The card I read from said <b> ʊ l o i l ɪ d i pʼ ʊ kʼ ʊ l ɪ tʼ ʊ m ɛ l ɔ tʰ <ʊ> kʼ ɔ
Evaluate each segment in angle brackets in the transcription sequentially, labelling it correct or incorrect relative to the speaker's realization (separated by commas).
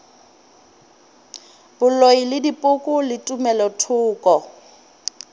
correct, incorrect